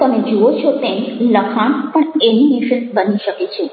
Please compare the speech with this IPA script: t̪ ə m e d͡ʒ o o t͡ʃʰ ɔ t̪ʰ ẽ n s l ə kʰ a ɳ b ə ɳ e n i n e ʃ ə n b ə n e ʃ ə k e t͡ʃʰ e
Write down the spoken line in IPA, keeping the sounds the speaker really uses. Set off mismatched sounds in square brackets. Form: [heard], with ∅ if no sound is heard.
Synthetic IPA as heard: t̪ ə m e d͡ʒ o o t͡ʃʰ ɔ [t̪] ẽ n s l ə kʰ a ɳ [p] ə ɳ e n i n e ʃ ə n b ə n [i] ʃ ə k e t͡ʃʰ e